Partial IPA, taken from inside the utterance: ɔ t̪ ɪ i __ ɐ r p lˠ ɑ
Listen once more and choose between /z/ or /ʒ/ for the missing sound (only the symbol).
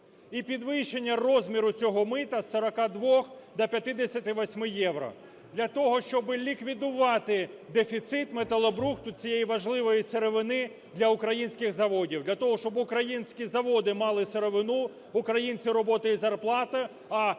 z